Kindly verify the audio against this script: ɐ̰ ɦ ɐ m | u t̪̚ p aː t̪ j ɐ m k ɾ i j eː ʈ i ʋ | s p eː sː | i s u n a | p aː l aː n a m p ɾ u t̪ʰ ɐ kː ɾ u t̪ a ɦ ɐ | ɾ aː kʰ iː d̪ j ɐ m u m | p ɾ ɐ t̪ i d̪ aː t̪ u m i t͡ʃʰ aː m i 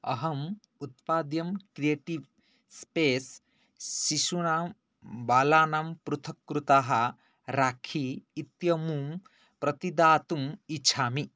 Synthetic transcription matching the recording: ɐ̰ ɦ ɐ m | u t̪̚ p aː d̪ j ɐ m k ɾ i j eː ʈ i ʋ | s p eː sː | i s u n a | b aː l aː n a m p ɾ u t̪ʰ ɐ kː ɾ u t̪ a ɦ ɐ | ɾ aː kʰ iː t̪ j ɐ m u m | p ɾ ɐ t̪ i d̪ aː t̪ u m i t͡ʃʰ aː m i